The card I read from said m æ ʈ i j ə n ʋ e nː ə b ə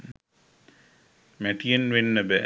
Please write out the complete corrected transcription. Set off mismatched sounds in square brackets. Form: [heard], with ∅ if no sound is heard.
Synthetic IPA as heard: m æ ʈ i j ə n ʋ e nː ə b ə

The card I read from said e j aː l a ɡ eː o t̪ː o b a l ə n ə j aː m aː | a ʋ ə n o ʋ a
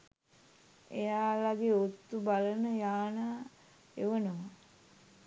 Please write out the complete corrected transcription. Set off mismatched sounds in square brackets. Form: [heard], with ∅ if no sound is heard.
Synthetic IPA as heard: e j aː l a ɡ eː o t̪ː [u] b a l ə n ə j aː [n] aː | [e] ʋ ə n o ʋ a

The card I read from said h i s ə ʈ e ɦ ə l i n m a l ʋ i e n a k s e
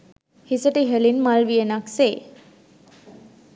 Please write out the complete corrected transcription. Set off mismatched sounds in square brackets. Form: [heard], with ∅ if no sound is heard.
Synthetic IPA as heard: h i s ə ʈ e ɦ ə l i n m a l ʋ i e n a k s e

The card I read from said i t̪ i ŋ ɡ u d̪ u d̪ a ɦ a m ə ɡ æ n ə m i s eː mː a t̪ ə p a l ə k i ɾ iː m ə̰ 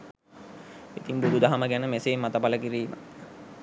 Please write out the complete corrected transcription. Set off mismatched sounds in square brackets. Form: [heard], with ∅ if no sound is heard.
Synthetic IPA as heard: i t̪ i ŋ [b] u d̪ u d̪ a ɦ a m ə ɡ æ n ə m [e] s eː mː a t̪ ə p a l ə k i ɾ iː m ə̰

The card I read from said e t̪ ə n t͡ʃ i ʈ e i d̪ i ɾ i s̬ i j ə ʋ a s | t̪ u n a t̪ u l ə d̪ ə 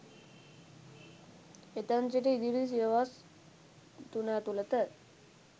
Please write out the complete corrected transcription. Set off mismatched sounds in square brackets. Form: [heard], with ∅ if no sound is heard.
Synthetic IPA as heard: e t̪ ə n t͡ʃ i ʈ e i d̪ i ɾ i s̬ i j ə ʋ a s | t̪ u n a t̪ u l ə [t̪] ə

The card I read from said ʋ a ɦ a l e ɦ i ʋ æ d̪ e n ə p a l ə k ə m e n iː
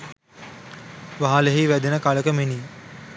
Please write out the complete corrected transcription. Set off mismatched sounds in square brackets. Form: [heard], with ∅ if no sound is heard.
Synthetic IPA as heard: ʋ a ɦ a l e ɦ i ʋ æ d̪ e n ə [k] a l ə k ə m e n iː

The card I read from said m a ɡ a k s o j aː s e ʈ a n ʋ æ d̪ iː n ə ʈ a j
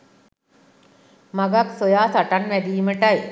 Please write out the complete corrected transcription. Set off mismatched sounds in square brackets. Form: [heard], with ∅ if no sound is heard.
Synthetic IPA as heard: m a ɡ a k s o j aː s [a] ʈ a n ʋ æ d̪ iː [m] ə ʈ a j

